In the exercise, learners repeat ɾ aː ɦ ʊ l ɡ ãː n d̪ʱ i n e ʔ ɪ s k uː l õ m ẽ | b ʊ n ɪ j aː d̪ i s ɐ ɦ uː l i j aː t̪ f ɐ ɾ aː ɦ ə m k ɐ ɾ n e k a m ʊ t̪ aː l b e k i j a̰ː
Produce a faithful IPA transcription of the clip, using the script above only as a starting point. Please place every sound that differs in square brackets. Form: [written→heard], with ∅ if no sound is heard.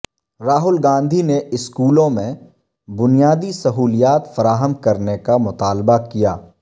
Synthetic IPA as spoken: ɾ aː ɦ ʊ l ɡ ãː n d̪ʱ i n e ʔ ɪ s k uː l õ m ẽ | b ʊ n [ɪ→i] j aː d̪ i s ɐ ɦ uː l i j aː t̪ f ɐ ɾ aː ɦ ə m k ɐ ɾ n e k a m ʊ t̪ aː l b [e→a] k i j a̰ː